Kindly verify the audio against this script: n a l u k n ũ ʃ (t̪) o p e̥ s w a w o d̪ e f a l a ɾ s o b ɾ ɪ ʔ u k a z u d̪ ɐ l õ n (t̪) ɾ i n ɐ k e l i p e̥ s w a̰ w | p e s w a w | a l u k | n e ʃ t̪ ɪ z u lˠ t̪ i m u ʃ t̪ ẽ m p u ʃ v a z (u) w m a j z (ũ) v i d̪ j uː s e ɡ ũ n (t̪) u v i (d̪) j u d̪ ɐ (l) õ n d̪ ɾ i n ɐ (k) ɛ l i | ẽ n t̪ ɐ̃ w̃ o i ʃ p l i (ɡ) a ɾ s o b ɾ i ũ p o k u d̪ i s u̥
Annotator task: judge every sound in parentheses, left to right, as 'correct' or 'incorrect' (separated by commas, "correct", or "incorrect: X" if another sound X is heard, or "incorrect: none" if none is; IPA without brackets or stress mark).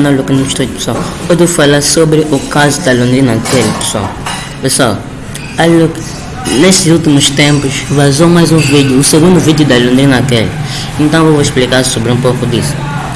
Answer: correct, incorrect: d̪, incorrect: o, correct, incorrect: d̪, correct, correct, correct, incorrect: k